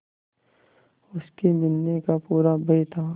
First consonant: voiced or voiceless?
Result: voiceless